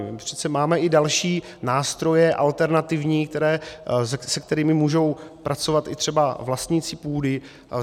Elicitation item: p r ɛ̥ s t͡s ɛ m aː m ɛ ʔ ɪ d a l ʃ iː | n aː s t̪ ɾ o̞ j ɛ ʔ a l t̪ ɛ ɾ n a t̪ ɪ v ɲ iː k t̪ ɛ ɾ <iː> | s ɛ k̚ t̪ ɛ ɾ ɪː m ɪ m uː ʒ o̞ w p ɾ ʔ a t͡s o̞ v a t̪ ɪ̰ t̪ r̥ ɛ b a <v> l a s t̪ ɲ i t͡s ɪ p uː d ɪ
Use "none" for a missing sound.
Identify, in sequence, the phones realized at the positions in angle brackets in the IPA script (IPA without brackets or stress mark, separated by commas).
ɛː, v